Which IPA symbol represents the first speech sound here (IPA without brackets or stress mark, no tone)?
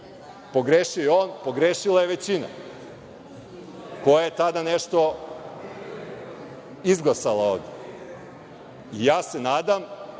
p